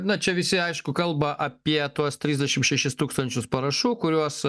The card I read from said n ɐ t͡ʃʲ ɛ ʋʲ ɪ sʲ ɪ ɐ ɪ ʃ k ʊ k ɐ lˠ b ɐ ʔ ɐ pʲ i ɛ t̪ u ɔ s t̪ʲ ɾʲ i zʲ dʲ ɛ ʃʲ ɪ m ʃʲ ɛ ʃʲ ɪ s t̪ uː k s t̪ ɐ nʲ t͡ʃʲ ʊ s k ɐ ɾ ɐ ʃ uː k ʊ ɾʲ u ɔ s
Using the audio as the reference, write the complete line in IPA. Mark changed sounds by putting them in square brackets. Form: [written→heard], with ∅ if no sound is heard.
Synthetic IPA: n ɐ t͡ʃʲ ɛ ʋʲ ɪ sʲ ɪ ɐ ɪ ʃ k ʊ k ɐ lˠ b ɐ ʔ ɐ pʲ i ɛ t̪ u ɔ s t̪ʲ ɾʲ i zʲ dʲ ɛ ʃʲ ɪ m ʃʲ ɛ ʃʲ ɪ s t̪ uː k s t̪ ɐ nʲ t͡ʃʲ ʊ s [k→p] ɐ ɾ ɐ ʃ uː k ʊ ɾʲ u ɔ s